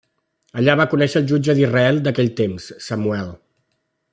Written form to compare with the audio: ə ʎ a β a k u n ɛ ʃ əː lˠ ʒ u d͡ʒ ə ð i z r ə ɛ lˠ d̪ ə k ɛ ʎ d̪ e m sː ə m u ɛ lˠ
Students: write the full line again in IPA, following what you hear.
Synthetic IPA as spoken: ə ʎ a β a k u n ɛ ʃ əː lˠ ʒ u d͡ʒ ə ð i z r ə ɛ lˠ d̪ ə k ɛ ʎ t̪ e m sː ə m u ɛ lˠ